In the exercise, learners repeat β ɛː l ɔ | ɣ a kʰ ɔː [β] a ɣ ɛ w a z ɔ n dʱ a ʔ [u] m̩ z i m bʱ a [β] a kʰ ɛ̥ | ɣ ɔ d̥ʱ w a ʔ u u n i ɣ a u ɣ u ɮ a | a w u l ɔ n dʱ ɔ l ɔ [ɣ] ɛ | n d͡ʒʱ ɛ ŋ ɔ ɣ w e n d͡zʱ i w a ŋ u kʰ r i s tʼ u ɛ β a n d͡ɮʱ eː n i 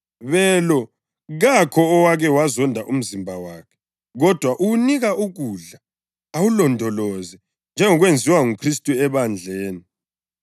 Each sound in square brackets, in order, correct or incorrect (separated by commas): incorrect, correct, incorrect, incorrect